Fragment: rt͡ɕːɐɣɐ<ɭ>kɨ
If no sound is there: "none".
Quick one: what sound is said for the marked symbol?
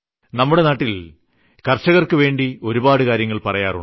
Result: r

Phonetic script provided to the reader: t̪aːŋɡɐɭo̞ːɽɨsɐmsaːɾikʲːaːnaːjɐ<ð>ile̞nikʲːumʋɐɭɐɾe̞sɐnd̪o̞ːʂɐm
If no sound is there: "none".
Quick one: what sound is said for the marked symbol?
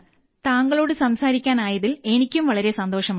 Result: ð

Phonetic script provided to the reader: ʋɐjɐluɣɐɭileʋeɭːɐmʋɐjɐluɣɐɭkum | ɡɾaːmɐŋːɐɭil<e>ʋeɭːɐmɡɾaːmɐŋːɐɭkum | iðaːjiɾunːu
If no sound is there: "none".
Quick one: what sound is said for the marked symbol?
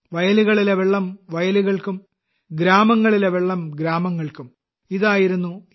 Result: e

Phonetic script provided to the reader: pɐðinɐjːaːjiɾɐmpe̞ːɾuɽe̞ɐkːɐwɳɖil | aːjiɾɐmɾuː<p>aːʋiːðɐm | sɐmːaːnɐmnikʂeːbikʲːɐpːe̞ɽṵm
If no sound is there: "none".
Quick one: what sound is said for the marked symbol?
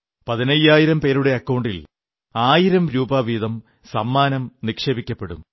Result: b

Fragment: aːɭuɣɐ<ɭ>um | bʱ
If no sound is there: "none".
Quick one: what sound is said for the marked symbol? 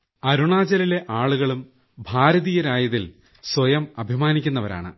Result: ɭ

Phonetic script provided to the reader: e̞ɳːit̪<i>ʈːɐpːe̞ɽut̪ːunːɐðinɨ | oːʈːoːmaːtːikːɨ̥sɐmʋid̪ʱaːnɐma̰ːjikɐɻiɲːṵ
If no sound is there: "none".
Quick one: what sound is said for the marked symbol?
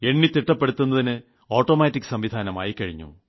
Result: i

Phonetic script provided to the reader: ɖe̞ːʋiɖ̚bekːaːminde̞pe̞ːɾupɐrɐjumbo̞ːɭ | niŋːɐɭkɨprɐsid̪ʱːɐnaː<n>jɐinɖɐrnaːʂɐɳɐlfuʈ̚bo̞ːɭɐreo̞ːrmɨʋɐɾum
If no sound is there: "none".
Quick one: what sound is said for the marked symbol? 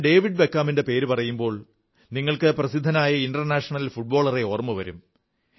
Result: none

